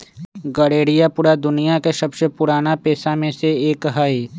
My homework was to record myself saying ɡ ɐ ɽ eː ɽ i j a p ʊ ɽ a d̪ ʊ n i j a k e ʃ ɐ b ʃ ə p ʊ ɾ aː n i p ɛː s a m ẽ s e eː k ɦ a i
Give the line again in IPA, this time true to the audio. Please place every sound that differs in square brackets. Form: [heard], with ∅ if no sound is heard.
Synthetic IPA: ɡ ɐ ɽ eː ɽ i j a p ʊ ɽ a d̪ ʊ n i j a k e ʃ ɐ b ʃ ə p ʊ ɾ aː n [a] p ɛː s a m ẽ s e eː k ɦ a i